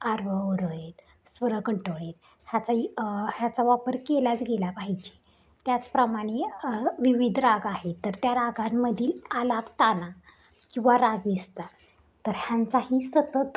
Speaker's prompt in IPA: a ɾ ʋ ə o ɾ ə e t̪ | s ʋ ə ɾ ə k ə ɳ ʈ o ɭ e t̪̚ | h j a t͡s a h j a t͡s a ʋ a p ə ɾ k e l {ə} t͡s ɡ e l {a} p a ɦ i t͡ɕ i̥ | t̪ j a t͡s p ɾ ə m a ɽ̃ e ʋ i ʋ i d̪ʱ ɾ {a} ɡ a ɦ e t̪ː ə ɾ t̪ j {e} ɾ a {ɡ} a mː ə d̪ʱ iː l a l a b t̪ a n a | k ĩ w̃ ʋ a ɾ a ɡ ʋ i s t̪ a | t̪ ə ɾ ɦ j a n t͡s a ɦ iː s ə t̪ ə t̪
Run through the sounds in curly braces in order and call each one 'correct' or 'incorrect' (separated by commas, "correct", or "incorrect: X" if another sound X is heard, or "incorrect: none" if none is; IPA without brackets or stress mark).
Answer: incorrect: a, correct, correct, incorrect: a, correct